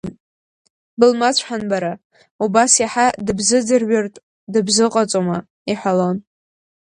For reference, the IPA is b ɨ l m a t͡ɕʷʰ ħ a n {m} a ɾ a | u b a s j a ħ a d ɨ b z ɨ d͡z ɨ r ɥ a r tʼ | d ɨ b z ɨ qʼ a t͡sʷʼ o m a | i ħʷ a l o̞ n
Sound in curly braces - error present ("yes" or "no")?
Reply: yes